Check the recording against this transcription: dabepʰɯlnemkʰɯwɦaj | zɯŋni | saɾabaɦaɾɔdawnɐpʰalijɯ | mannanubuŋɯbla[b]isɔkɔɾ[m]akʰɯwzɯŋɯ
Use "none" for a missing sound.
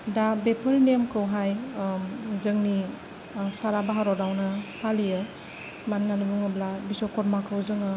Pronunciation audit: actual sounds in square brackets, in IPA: b, m

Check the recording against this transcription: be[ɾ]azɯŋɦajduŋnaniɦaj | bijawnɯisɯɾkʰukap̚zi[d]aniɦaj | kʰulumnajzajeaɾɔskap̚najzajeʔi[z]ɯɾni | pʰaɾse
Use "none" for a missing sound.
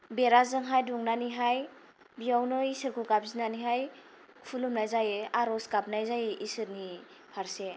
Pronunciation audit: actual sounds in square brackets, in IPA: ɾ, n, s

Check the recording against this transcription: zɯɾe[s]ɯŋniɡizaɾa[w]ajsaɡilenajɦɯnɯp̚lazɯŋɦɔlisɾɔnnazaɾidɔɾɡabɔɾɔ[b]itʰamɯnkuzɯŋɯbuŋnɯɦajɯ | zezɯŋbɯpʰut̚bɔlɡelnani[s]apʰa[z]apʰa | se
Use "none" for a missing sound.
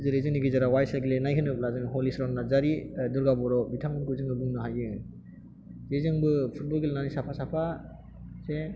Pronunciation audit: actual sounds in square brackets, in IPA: z, w, b, s, s

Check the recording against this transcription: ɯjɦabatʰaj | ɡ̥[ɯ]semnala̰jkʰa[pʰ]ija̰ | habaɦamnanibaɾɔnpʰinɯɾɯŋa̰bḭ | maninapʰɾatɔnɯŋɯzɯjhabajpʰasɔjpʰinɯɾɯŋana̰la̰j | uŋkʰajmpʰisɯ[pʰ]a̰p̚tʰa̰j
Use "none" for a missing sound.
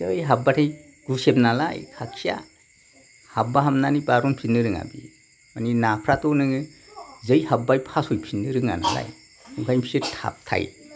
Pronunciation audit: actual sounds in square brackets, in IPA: u, kʰ, tʰ

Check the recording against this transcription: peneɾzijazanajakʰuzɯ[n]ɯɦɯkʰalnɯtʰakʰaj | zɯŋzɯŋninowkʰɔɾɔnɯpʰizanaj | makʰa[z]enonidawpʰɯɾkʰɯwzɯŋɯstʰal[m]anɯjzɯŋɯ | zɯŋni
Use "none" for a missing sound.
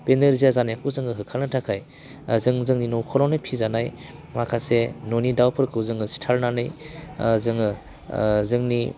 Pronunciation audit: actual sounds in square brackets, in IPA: ŋ, s, n

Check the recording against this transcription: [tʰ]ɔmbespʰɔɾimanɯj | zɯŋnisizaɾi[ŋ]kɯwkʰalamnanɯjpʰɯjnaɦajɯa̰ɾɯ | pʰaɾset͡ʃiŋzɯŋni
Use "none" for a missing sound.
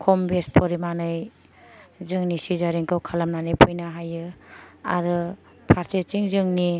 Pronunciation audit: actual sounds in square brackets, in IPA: kʰ, ŋ

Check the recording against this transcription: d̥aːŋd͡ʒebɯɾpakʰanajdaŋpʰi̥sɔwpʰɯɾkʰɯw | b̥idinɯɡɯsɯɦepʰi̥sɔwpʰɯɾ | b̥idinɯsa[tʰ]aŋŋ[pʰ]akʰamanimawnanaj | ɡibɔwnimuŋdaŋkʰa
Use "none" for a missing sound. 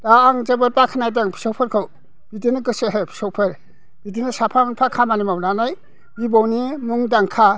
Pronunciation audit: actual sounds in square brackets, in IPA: pʰ, pʰ

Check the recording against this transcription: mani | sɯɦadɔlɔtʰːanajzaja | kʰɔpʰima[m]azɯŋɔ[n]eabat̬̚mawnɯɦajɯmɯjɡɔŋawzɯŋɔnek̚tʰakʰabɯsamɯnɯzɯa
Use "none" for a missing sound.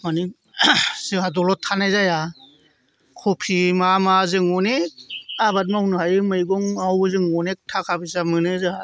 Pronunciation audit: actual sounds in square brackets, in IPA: m, n

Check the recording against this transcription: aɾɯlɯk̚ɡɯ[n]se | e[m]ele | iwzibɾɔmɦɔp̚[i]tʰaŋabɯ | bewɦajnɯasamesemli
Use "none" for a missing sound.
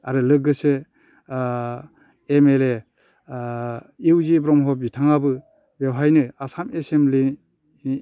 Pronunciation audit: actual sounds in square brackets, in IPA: none, m, i

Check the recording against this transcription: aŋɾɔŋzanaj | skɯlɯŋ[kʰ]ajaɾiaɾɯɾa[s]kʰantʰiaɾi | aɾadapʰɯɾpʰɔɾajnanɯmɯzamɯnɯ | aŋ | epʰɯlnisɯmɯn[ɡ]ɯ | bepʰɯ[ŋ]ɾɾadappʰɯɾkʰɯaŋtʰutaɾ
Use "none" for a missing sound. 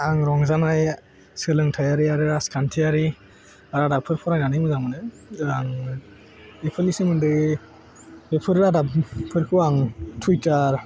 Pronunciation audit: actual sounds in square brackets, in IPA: tʰ, s, d, none

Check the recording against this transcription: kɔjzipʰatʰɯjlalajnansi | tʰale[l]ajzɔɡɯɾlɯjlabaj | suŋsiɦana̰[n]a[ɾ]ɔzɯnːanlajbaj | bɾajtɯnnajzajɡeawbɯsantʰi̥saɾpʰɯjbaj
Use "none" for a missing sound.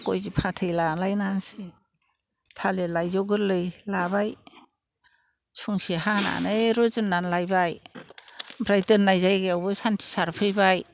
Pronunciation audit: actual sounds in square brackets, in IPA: l, n, ɾ

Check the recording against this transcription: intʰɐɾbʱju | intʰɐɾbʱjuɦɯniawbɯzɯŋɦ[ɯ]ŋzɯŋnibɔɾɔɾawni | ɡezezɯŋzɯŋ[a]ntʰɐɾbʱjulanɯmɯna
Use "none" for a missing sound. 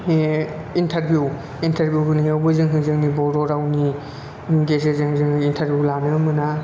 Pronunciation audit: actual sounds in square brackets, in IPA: ɯ, i

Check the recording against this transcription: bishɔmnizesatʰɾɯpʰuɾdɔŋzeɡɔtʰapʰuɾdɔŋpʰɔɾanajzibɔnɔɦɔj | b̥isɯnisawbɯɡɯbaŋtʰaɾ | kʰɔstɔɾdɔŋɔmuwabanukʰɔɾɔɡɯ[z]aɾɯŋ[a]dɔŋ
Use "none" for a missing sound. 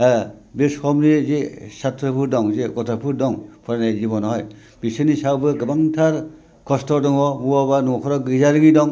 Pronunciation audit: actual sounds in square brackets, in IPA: z, i

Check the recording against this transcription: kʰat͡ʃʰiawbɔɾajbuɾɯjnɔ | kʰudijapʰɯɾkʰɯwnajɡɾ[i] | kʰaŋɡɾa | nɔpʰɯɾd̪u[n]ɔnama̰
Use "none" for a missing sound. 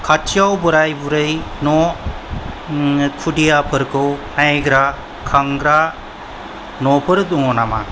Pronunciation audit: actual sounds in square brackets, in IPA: a, ŋ

